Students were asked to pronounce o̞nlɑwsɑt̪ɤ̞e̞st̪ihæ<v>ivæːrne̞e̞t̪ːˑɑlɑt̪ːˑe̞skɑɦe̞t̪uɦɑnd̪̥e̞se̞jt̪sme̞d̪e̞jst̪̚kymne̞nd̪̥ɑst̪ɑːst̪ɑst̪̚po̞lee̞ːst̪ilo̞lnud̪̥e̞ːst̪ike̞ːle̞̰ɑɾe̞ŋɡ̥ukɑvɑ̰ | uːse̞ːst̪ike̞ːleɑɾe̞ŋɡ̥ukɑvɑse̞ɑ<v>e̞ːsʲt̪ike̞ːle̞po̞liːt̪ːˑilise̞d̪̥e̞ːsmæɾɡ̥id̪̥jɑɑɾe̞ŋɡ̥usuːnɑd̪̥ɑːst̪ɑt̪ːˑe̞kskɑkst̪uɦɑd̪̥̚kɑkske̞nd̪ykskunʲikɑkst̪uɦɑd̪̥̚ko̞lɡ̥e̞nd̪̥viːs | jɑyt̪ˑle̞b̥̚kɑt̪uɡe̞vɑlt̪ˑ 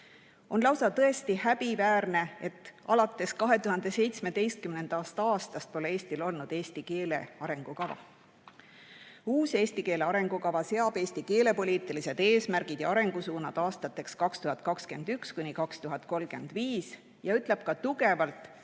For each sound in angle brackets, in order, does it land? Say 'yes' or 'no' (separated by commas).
no, no